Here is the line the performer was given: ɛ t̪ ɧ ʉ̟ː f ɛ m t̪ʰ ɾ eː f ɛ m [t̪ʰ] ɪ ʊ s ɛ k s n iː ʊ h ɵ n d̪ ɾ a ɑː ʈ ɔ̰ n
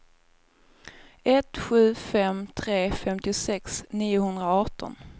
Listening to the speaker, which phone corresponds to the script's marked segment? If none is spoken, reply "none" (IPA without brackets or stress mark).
t̪